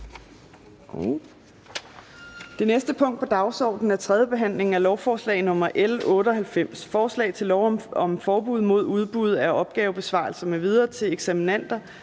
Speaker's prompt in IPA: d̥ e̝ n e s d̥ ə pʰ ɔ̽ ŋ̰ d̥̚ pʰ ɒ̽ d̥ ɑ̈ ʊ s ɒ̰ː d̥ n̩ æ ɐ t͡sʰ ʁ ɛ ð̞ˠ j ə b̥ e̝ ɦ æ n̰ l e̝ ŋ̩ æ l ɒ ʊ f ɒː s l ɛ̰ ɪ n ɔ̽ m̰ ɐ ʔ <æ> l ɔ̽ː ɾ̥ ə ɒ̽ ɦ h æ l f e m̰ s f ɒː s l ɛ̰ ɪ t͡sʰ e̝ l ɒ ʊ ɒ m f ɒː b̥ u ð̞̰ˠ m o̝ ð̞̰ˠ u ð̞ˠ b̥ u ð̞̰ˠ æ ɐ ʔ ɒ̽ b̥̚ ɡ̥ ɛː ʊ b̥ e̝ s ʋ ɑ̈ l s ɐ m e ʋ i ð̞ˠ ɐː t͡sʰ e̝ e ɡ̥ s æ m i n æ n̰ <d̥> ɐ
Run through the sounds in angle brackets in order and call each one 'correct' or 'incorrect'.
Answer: incorrect: e, correct

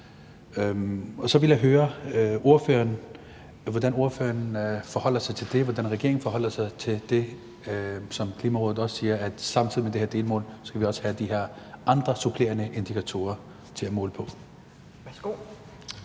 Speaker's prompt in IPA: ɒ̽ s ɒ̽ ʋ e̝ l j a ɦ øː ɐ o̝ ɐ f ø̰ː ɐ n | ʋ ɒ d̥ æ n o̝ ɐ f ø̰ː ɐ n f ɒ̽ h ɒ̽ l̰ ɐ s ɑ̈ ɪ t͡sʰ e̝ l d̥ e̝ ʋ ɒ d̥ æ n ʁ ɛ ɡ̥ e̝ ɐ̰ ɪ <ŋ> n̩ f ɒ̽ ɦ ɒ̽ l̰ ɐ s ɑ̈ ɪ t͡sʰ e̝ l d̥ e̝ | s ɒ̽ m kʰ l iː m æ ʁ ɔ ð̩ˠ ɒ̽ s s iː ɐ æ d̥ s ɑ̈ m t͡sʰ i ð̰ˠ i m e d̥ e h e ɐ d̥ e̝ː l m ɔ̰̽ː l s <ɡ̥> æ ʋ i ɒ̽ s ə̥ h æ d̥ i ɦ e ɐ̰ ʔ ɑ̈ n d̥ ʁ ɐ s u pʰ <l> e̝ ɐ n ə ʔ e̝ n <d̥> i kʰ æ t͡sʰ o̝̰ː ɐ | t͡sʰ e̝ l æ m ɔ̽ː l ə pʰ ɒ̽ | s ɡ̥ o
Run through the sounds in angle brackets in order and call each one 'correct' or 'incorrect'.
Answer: correct, correct, correct, correct

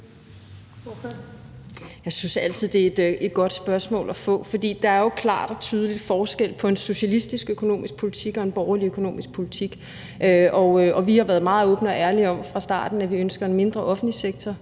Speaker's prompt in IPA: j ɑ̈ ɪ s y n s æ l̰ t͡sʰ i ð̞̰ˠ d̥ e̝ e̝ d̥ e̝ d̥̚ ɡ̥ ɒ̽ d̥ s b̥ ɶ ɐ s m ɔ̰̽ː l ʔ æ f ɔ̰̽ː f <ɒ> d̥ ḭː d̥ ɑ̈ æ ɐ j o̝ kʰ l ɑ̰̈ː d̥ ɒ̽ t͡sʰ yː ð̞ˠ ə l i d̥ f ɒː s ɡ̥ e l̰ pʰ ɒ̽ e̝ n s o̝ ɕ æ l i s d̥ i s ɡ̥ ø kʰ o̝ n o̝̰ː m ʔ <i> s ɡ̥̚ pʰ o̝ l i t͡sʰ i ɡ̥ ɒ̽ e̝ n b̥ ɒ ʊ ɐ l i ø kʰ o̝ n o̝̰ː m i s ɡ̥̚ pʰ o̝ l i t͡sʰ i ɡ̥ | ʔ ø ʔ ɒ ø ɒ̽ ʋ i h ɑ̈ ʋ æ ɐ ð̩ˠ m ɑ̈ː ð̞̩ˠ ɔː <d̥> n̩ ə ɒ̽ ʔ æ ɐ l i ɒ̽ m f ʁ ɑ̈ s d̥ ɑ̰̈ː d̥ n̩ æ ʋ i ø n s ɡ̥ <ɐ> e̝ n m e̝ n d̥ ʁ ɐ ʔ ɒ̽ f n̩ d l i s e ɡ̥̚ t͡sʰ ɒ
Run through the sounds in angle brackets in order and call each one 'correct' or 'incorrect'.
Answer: correct, correct, incorrect: b̥, correct

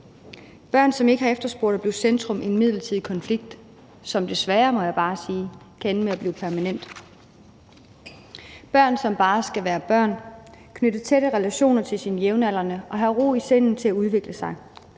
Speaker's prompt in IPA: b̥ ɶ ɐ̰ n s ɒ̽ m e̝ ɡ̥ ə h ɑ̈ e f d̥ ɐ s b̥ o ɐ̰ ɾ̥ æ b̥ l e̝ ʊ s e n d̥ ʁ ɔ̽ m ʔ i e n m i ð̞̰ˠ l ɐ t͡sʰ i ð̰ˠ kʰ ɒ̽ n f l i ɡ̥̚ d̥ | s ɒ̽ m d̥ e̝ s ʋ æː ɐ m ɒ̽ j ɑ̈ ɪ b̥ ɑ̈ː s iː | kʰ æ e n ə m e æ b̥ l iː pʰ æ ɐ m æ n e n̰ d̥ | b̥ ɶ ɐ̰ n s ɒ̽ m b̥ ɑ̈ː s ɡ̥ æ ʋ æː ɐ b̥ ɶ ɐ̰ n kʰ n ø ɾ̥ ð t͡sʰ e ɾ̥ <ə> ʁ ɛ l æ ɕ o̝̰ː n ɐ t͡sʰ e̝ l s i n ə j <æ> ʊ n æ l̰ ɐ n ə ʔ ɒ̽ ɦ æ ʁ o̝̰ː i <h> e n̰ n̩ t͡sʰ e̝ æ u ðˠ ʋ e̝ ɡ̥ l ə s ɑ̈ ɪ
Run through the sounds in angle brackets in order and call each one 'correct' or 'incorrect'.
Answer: correct, incorrect: e, incorrect: s

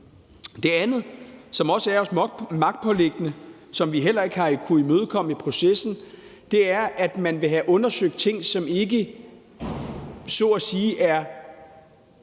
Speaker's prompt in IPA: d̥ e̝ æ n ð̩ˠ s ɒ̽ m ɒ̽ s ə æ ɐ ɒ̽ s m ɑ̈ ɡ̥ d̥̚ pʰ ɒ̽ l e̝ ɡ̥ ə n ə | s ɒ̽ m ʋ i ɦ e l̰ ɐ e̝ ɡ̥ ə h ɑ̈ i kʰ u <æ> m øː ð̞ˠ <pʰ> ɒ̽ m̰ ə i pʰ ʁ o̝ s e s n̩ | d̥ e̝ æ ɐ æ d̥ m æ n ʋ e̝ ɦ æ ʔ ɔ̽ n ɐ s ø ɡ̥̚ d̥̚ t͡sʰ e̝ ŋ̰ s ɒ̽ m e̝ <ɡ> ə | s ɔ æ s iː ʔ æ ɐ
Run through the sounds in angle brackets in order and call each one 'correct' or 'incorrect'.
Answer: incorrect: i, incorrect: kʰ, correct

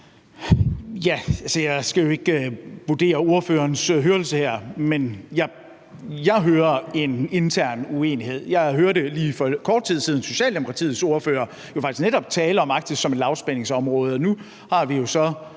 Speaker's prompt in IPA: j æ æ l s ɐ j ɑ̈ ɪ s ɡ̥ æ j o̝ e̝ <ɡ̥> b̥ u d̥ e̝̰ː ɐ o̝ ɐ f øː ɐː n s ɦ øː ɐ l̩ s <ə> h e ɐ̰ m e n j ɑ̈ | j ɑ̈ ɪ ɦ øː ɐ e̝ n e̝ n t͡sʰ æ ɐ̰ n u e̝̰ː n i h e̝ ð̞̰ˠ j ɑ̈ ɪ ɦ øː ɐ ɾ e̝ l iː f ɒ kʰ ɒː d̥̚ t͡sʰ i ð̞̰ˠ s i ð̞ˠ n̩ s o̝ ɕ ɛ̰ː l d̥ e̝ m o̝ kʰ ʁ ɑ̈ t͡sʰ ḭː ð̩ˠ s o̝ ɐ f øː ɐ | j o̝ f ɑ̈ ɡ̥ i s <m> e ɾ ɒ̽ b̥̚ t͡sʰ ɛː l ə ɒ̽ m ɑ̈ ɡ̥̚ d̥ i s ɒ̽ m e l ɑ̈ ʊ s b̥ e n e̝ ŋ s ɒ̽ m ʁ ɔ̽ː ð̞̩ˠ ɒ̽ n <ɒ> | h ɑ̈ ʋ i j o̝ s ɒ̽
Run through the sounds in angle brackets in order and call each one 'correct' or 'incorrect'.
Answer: correct, correct, incorrect: n, incorrect: u

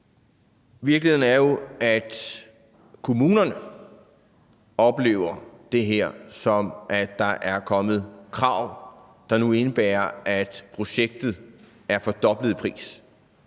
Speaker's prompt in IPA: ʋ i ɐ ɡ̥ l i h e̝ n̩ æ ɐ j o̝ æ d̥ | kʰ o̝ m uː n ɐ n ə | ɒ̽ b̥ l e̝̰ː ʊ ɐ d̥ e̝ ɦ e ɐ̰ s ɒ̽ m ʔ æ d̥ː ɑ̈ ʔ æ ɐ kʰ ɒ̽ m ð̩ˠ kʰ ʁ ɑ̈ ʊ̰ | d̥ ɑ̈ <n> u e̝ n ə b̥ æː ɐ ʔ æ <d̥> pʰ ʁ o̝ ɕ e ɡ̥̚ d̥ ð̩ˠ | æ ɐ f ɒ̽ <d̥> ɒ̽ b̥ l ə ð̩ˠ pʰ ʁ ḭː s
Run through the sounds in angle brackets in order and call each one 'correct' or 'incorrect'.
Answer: correct, correct, correct

